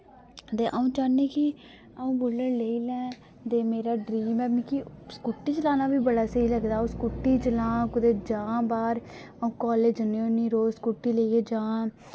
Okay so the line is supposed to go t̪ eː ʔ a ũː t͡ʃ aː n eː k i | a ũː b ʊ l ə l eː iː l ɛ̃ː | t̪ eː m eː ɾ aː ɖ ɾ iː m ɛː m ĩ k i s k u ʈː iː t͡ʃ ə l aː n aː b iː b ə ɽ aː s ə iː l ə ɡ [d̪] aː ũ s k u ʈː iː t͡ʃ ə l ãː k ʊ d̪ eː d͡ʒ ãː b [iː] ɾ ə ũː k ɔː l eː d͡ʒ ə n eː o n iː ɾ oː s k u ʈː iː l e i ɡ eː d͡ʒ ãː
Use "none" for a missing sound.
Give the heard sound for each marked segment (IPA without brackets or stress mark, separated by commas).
d̪, aː